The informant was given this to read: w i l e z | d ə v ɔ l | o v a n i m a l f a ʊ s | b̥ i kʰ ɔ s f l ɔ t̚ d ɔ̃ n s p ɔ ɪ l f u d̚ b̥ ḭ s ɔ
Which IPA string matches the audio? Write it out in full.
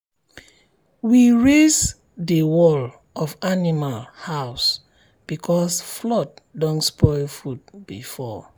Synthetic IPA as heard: w i ɹ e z | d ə w ɔ l | ɔ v a n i m a l h a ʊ s | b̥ i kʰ ɔ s f l ɔ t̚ d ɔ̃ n s p ɔ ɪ l f u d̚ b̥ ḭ f ɔ

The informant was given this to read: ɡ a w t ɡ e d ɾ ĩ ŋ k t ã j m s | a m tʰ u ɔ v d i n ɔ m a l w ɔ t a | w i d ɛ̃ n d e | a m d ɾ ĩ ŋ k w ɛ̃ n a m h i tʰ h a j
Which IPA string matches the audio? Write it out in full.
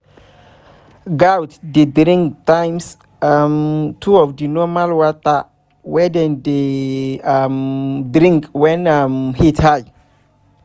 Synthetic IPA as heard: ɡ a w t d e d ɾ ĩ ŋ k t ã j m s | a m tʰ u ɔ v d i n ɔ m a l w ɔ t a | w ɛ d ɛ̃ n d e | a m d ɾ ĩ ŋ k w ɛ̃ n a m h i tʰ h a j

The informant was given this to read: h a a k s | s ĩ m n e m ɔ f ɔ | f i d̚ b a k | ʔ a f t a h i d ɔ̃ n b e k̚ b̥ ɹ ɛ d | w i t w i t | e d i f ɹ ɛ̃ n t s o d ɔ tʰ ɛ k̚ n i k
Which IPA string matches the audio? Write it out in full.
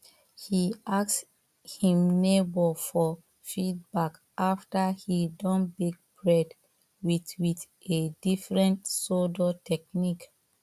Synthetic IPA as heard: h i a k s | h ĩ m n e b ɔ f ɔ | f i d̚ b a k | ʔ a f t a h i d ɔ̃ n b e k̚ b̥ ɹ ɛ d | w i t w i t | e d i f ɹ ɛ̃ n t s o d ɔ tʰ ɛ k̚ n i k

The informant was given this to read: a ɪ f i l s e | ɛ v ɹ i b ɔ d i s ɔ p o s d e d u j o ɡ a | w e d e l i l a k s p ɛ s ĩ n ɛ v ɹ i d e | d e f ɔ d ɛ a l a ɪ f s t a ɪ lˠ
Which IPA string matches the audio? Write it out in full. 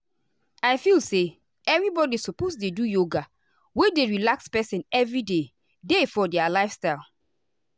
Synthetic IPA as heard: a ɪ f i l s e | ɛ v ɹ i b ɔ d i s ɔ p o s d e d u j o ɡ a | w e d e ɹ i l a k s p ɛ s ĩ n ɛ v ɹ i d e | d e f ɔ d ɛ a l a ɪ f s t a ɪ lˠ

